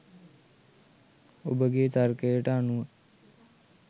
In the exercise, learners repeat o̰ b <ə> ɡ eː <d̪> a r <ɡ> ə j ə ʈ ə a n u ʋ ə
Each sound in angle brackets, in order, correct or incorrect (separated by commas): correct, incorrect, incorrect